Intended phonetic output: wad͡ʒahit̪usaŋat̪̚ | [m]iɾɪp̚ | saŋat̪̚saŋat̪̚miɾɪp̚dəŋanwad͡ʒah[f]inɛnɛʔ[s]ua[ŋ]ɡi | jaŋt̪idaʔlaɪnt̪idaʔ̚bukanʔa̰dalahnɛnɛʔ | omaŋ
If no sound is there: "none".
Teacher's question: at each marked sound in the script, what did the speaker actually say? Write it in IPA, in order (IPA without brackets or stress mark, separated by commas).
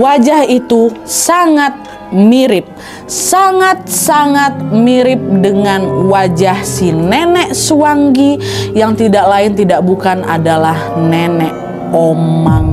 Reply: m, s, s, ŋ